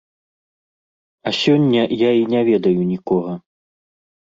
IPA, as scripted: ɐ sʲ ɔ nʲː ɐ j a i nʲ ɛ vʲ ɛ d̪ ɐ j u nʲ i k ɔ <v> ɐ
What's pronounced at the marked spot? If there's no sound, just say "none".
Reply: ɣ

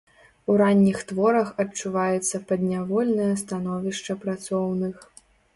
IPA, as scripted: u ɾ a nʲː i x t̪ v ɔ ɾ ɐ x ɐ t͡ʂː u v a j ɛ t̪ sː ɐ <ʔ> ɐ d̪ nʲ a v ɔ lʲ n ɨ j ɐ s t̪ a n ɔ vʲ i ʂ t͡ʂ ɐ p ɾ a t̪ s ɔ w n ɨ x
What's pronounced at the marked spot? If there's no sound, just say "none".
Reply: p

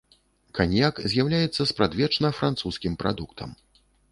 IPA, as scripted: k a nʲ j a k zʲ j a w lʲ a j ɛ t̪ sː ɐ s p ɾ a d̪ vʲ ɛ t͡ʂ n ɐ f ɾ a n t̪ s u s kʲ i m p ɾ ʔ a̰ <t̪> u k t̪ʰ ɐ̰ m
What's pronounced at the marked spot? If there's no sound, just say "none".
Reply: d̪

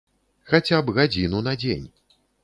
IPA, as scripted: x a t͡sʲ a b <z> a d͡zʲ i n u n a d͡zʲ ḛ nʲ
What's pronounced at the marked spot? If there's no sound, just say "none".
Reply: ɣ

